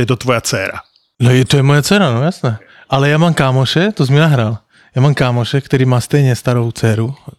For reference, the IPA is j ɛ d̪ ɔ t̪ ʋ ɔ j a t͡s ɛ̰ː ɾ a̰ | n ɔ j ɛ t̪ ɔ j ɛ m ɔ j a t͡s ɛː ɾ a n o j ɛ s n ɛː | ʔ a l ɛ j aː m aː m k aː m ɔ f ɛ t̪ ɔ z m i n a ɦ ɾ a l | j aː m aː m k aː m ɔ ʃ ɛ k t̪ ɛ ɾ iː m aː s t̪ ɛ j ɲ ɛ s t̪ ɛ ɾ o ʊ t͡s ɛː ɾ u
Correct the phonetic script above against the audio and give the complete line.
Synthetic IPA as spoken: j ɛ t̪ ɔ t̪ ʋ ɔ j a t͡s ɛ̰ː ɾ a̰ | n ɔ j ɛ t̪ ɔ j ɛ m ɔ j a t͡s ɛː ɾ a n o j a s n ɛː | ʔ a l ɛ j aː m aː m k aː m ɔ ʃ ɛ t̪ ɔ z m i n a ɦ ɾ a l | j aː m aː m k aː m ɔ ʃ ɛ k t̪ ɛ ɾ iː m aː s t̪ ɛ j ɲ ɛ s t̪ a ɾ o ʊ t͡s ɛː ɾ u